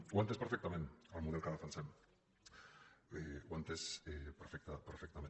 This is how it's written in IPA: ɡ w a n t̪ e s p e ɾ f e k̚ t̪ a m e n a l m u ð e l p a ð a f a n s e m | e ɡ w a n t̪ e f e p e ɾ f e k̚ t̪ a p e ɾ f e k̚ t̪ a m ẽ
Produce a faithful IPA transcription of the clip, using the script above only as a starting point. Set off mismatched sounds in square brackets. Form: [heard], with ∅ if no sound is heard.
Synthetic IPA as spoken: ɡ w a n t̪ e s p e ɾ f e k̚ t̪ a m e n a l m u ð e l [k] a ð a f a n s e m | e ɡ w a n t̪ e [s] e p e ɾ f e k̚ t̪ a p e ɾ f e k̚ t̪ a m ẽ